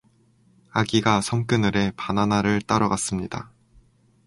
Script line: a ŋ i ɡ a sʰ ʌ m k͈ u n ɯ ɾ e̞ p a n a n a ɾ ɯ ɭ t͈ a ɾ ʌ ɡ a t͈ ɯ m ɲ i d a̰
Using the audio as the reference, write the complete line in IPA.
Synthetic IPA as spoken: a ɡ i ɡ a sʰ ʌ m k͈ ɯ n ɯ ɾ e̞ p a n a n a ɾ ɯ ɭ t͈ a ɾ ʌ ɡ a s͈ ɯ m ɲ i d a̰